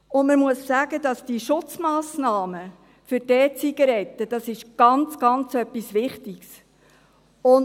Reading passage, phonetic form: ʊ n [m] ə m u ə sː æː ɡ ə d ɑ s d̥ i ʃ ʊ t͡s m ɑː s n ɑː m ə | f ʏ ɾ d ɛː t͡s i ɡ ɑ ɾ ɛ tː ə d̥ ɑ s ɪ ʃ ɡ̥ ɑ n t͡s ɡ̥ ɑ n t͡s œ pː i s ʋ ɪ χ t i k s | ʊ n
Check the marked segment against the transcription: correct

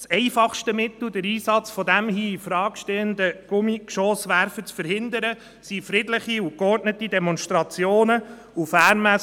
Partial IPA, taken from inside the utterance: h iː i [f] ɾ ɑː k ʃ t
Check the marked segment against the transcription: correct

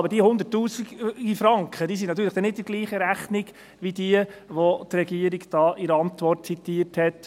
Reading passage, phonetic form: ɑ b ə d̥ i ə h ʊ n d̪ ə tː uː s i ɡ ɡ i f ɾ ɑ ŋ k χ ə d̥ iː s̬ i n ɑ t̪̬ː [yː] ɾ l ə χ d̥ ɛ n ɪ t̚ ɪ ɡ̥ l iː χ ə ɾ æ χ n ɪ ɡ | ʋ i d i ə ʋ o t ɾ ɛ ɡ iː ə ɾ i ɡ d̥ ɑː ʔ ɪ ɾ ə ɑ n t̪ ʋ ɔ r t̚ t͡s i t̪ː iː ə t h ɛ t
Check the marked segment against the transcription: correct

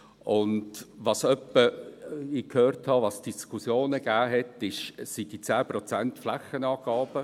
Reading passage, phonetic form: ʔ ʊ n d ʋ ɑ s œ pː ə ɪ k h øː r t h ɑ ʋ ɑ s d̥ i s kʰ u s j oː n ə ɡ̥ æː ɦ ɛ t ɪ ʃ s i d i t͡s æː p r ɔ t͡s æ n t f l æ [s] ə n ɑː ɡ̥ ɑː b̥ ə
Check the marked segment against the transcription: incorrect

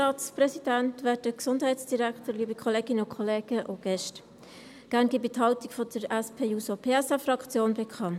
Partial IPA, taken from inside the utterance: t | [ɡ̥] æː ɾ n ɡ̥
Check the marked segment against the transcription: correct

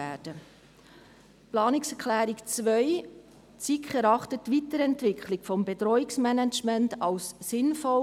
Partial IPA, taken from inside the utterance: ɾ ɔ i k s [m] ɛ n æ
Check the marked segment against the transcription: correct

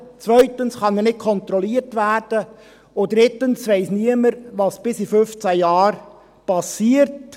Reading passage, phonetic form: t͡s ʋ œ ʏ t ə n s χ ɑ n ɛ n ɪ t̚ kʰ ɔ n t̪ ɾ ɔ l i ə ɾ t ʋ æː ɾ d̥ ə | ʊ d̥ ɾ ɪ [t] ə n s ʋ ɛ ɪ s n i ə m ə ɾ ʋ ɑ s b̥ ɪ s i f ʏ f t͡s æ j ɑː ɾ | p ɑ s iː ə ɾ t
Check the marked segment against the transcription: correct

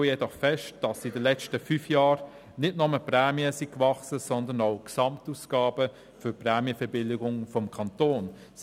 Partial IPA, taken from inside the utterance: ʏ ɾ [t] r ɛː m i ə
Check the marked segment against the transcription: incorrect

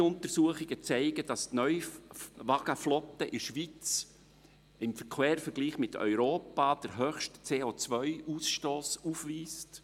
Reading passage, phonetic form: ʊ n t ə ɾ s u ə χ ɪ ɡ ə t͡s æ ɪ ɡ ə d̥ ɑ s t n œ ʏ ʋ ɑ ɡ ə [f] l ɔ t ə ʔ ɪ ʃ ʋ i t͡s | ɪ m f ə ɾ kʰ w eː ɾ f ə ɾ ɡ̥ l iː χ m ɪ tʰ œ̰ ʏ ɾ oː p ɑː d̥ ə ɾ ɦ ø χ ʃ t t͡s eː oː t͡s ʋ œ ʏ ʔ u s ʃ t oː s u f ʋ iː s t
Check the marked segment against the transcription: correct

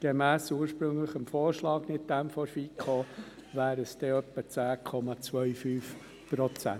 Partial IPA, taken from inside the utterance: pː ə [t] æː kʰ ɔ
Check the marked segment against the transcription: incorrect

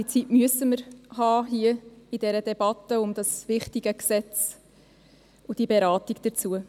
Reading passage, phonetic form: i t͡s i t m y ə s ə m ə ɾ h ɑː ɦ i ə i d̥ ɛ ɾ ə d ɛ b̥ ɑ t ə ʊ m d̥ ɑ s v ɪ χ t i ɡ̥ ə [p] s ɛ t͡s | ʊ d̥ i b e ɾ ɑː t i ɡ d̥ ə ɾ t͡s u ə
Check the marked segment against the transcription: incorrect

